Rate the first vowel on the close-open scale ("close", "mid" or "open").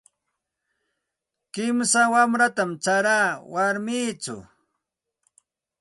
close